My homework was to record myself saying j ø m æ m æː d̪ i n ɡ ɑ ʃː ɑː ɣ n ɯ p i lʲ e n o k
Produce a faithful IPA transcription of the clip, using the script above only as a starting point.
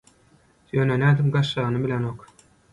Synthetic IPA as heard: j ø n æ n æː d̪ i m ɡ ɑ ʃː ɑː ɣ n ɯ b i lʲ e n o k